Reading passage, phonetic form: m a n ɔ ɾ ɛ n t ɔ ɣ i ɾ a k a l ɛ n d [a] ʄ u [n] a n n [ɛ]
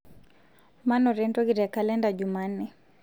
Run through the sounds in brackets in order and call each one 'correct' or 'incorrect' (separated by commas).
correct, incorrect, correct